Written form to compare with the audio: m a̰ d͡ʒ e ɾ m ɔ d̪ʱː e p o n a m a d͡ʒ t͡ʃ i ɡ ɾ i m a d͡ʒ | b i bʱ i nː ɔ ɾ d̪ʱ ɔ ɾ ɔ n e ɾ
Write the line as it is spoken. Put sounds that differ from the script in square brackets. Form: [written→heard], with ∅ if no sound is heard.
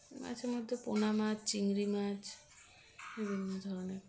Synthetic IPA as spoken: m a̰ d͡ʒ e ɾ m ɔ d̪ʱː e p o n a m a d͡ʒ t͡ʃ i [ɡ→ŋ] ɾ i m a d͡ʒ | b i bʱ i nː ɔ [ɾ→∅] d̪ʱ ɔ ɾ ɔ n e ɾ